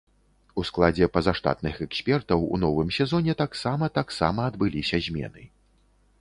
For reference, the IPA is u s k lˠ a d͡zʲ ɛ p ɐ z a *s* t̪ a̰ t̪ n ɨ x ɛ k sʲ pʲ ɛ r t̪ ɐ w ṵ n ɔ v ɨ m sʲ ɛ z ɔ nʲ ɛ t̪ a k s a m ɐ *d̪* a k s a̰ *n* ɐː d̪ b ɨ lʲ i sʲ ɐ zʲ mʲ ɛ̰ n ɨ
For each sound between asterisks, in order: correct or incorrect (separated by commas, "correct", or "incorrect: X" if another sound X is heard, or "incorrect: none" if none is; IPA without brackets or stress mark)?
incorrect: ʂ, incorrect: t̪, incorrect: m